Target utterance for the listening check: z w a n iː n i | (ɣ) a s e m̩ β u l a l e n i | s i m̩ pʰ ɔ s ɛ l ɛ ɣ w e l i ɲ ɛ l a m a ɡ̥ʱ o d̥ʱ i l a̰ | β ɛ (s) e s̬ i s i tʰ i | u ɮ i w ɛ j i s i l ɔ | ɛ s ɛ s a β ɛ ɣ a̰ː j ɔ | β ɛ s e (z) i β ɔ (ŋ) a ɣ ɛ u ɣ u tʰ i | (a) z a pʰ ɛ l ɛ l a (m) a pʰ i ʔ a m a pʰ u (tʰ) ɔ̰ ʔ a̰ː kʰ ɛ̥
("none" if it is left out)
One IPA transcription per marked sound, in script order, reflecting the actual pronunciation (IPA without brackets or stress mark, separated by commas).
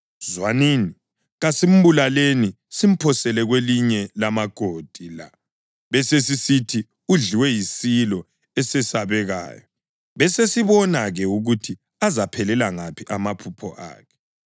ɣ, s, s, n, a, ŋ, pʰ